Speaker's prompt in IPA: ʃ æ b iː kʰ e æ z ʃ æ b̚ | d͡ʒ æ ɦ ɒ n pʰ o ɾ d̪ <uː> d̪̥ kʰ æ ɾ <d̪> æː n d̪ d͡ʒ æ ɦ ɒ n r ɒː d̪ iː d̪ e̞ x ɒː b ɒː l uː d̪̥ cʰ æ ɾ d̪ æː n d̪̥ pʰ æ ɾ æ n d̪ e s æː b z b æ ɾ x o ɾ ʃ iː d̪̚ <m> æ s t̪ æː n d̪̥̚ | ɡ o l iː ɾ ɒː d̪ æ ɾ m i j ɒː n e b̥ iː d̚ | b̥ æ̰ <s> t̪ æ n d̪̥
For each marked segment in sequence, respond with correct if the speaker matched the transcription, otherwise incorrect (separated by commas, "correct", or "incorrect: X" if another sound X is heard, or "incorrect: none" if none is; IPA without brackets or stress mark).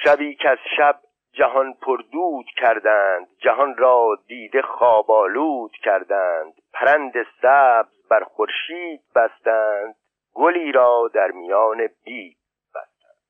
correct, correct, incorrect: b, correct